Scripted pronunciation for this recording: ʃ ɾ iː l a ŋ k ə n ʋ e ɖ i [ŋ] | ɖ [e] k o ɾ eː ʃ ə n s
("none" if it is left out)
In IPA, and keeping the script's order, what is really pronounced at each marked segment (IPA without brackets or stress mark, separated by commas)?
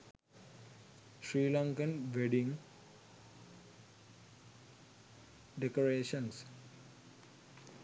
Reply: ŋ, e